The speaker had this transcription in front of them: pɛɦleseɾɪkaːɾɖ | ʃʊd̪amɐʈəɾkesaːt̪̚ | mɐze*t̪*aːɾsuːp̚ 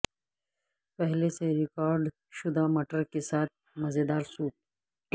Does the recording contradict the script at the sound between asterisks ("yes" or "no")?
yes